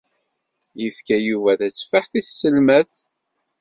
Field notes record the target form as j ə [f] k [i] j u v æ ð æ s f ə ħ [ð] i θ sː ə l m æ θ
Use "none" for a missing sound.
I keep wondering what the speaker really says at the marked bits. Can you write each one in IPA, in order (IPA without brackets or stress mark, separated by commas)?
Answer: f, æ, θ